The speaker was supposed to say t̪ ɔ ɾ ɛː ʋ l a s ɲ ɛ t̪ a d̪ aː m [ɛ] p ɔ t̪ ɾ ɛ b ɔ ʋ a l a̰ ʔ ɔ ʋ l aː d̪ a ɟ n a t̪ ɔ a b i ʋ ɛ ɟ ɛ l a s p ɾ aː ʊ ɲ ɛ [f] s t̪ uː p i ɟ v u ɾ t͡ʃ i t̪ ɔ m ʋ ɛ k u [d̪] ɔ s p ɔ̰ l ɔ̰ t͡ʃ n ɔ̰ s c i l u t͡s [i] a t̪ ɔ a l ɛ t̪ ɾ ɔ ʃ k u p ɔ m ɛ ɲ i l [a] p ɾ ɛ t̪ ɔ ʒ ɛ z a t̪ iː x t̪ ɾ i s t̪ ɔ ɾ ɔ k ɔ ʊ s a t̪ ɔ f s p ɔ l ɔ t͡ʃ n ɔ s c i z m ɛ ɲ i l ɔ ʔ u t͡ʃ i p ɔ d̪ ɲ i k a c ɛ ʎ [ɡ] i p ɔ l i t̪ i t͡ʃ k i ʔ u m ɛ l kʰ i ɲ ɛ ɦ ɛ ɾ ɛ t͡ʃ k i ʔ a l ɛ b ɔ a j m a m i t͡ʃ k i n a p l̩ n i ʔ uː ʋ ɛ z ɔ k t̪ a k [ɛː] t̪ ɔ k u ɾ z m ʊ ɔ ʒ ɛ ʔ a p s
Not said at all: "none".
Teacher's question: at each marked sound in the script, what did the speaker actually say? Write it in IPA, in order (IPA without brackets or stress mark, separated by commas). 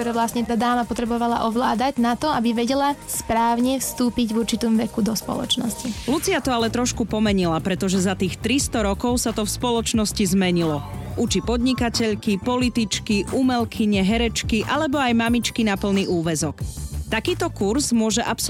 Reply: a, f, d̪, i, a, k, iː